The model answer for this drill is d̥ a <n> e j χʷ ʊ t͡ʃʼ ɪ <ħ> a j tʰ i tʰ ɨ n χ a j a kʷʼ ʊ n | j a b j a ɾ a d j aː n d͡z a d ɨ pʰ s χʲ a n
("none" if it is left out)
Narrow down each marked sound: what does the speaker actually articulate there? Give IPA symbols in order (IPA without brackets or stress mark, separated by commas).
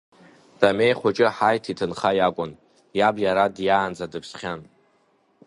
m, ħ